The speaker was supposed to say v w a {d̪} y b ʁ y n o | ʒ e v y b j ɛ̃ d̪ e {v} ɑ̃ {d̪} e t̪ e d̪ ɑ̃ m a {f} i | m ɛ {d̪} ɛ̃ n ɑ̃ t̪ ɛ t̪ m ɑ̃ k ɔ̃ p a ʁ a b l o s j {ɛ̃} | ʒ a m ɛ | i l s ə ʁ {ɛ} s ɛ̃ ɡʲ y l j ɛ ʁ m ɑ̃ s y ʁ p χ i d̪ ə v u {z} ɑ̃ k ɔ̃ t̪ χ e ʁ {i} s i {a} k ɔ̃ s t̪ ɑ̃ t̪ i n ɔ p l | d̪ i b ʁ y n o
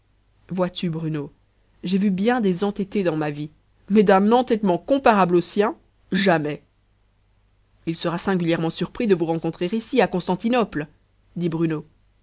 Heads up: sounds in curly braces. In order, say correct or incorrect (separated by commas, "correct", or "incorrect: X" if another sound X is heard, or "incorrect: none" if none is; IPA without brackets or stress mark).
incorrect: t̪, incorrect: z, incorrect: t̪, incorrect: v, correct, correct, incorrect: a, incorrect: ʁ, correct, correct